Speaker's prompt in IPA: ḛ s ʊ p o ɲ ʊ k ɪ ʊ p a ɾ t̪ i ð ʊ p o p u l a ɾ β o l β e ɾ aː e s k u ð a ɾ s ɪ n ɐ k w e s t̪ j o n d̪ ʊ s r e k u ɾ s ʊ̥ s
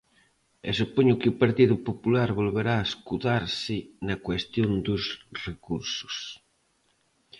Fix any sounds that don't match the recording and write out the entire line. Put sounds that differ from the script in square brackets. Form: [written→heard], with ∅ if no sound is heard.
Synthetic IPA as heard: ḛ s [ʊ→u] p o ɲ ʊ k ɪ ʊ p a ɾ t̪ i ð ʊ p o p u l a ɾ β o l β e ɾ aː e s k u ð a ɾ s ɪ n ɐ k w e s t̪ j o n d̪ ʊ s r e k u ɾ s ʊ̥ s